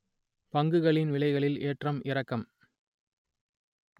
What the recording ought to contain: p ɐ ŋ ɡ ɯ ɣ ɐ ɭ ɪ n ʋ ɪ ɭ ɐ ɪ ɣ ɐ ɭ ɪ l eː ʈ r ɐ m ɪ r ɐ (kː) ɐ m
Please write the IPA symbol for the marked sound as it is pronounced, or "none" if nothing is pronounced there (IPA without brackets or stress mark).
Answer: kː